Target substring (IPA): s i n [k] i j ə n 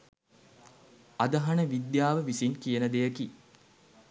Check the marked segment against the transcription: correct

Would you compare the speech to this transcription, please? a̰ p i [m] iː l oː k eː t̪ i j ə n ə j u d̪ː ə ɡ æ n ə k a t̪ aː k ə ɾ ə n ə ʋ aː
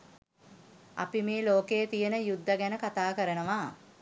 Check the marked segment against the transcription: correct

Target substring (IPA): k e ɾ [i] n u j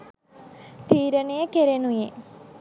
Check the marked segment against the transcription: incorrect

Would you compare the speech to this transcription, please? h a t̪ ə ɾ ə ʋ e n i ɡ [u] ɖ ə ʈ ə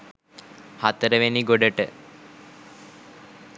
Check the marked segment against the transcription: incorrect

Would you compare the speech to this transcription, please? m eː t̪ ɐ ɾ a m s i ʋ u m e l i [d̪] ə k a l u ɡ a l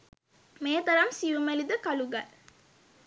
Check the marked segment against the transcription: correct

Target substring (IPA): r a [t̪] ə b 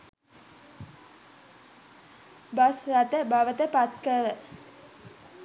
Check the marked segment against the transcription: correct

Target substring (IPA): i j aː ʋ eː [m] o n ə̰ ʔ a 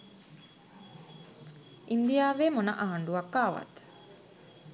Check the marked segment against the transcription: correct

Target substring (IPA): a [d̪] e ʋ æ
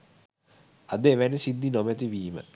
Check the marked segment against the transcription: correct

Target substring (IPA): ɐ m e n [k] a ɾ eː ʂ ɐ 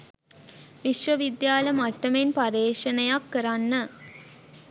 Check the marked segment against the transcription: incorrect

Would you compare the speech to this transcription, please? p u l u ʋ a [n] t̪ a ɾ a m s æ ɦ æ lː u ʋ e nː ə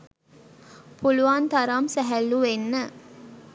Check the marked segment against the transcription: correct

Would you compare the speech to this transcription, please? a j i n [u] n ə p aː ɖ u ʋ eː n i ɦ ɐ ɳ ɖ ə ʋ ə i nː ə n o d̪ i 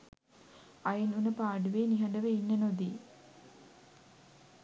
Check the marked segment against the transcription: correct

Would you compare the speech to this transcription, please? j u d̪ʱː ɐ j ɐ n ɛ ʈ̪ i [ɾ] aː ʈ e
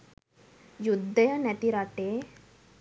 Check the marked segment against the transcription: correct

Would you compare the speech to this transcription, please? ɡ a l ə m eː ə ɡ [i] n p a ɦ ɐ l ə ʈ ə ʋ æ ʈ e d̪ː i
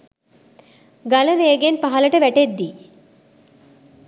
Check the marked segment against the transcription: incorrect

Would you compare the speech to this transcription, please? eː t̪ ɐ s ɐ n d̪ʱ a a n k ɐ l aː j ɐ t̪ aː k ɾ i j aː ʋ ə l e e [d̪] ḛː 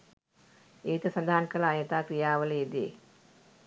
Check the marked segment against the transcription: correct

